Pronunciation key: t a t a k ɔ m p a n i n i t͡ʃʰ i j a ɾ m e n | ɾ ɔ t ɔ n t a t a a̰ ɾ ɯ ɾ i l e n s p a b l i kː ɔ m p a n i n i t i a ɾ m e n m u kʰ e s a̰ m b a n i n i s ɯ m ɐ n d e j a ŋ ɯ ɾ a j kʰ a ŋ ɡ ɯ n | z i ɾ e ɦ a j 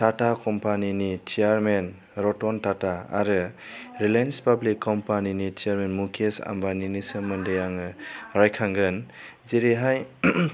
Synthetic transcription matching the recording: t a t a k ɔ m p a n i n i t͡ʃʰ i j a ɾ m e n | ɾ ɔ t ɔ n t a t a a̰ ɾ ɯ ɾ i l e n s p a b l i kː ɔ m p a n i n i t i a ɾ m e n m u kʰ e s a̰ m b a n i n i s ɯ m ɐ n d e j a ŋ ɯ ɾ a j kʰ a ŋ ɡ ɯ n | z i ɾ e ɦ a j